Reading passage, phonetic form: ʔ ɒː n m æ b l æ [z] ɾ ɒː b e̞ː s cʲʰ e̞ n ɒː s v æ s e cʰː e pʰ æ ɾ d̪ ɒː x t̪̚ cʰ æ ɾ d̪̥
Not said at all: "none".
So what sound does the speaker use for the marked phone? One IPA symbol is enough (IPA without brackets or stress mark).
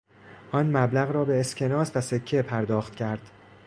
ɣ